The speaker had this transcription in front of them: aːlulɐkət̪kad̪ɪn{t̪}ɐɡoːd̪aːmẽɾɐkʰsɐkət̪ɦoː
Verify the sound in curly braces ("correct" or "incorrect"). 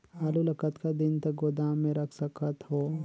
correct